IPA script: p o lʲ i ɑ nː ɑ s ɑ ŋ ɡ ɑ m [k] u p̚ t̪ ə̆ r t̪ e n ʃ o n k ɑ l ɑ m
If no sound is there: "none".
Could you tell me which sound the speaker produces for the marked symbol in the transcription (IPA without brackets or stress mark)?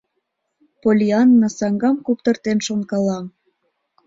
k